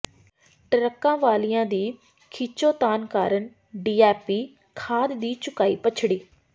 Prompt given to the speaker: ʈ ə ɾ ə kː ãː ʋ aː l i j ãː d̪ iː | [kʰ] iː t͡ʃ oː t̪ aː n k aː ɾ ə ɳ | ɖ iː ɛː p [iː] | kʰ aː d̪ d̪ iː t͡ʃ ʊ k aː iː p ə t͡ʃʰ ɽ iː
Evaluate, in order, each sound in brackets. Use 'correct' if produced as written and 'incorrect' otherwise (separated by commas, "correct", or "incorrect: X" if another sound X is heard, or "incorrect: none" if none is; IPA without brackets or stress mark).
correct, correct